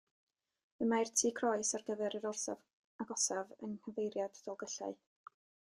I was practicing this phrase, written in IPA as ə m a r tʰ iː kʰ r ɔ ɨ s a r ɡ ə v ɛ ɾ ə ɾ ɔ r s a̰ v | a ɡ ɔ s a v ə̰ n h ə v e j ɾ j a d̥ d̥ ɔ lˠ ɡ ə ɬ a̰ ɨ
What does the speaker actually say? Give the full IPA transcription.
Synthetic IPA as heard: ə m a r tʰ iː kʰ r ɔ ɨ s a r ɡ ə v ɛ ɾ ə ɾ ɔ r s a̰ v | a ɡ ɔ s a v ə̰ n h ə v e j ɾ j a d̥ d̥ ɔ lˠ ɡ ə ɬ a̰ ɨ